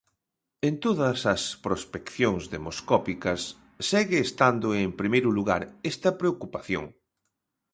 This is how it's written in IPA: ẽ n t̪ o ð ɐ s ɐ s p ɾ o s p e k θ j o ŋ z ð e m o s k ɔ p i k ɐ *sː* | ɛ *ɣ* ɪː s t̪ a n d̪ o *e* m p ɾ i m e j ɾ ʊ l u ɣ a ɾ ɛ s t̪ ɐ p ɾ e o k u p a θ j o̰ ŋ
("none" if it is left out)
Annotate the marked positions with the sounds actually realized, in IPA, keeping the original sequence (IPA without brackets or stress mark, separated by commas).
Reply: sː, ɣ, e